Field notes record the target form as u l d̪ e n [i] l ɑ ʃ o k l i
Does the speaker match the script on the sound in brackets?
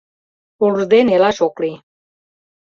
no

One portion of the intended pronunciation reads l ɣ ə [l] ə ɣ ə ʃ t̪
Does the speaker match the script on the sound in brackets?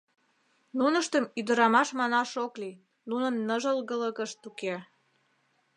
yes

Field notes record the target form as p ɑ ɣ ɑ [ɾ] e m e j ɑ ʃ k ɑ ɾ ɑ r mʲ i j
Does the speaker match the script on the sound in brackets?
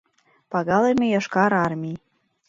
no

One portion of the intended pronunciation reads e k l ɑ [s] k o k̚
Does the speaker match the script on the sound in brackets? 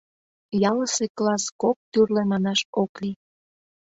yes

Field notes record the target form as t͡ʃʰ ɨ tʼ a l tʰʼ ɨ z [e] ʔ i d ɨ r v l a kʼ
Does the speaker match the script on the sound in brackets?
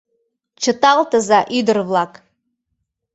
no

